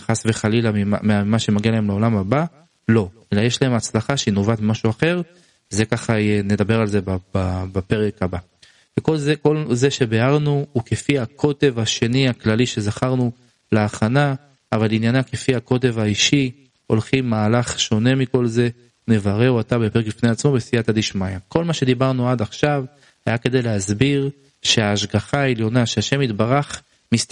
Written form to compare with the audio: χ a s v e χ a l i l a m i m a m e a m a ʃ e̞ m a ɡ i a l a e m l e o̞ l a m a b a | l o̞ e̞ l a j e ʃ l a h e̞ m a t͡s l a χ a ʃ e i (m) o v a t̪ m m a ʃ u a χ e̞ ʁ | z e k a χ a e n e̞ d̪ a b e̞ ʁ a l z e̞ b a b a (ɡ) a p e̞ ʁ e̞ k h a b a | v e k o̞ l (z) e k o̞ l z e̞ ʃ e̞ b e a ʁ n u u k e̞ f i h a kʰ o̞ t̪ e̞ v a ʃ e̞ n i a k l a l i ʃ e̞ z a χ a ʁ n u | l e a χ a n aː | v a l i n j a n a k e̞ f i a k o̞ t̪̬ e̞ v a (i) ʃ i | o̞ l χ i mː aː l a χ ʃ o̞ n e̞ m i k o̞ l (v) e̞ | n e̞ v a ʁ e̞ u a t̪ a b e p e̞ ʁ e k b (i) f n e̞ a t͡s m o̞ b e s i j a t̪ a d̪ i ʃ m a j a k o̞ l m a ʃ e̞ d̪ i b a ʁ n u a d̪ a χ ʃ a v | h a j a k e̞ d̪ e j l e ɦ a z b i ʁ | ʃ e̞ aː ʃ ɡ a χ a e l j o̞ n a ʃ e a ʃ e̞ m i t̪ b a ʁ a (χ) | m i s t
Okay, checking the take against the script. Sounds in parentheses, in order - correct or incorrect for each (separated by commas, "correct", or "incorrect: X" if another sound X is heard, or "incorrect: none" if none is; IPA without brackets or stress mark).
incorrect: n, incorrect: b, correct, correct, incorrect: z, correct, correct